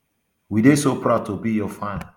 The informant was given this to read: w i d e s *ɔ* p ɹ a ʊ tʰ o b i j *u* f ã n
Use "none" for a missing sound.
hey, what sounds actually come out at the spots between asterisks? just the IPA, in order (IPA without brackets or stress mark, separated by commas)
o, ɔ